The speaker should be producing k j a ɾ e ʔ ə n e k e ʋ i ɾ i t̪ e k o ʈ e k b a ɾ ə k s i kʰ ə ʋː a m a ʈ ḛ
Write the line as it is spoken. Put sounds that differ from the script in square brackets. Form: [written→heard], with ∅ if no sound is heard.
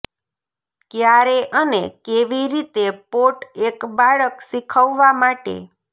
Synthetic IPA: k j a ɾ e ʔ ə n e k e ʋ i ɾ i t̪ e [k→p] o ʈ e k b a [ɾ→ɭ] ə k s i kʰ ə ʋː a m a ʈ ḛ